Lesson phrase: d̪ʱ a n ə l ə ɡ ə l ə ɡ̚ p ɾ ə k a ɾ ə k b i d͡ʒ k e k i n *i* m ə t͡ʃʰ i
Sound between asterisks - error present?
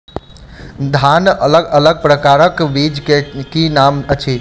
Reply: yes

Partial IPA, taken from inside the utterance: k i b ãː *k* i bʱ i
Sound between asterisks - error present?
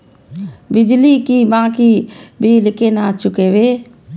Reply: no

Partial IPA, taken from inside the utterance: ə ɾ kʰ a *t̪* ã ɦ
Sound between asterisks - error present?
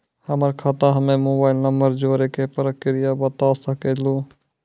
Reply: no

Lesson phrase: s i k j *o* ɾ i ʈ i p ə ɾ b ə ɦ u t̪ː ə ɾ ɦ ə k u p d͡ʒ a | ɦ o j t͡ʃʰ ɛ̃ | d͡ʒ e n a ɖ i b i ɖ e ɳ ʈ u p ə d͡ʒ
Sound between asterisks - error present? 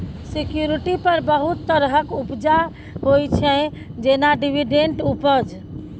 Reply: yes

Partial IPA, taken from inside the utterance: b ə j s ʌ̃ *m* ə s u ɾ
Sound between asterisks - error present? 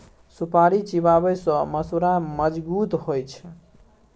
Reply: no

